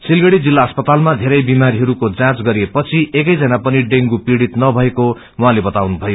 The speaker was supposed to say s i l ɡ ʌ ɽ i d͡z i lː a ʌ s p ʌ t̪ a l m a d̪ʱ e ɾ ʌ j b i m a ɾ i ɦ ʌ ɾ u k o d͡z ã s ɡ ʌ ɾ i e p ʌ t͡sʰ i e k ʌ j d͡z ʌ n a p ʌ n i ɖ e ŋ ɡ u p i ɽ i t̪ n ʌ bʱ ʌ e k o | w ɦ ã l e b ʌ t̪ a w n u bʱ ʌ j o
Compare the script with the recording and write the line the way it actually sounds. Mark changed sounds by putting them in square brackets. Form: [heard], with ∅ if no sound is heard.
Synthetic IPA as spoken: s i l ɡ ʌ ɽ i d͡z i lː a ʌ s p ʌ t̪ a l m a d̪ʱ e ɾ ʌ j b i m a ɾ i ɦ ʌ ɾ u k o d͡z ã [t͡s] ɡ ʌ ɾ i e p ʌ t͡sʰ i e k ʌ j d͡z ʌ n a p ʌ n i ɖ e ŋ ɡ u p i ɽ i t̪ n ʌ bʱ ʌ e k o | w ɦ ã l e b ʌ t̪ a w n u bʱ ʌ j o